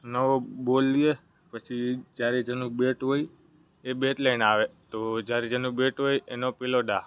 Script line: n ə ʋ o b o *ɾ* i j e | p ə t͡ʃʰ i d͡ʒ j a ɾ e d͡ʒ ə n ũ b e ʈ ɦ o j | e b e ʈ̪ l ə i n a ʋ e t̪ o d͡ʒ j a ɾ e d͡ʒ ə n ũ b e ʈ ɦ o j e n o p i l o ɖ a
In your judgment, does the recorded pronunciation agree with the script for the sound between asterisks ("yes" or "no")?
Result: no